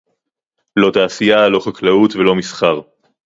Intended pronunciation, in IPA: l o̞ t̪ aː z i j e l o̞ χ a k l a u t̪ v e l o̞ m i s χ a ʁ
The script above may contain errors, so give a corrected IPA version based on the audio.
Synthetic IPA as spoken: l o̞ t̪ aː s i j a l o̞ χ a k l a u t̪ v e l o̞ m i s χ a ʁ